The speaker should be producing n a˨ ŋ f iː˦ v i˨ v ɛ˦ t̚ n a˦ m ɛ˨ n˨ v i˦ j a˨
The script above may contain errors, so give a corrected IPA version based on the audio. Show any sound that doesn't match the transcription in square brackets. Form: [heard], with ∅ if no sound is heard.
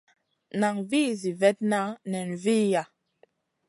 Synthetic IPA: n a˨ ŋ [v] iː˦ [z] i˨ v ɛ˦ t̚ n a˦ [n] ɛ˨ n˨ v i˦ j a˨